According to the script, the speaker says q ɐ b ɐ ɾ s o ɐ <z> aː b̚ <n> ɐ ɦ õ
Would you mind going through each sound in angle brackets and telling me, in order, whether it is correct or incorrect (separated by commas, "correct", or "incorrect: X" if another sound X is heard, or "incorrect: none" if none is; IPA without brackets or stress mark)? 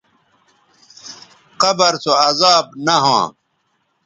correct, correct